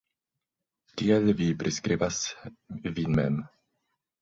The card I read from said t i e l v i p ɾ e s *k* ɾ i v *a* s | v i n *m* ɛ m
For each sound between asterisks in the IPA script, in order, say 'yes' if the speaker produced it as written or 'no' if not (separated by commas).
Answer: yes, yes, yes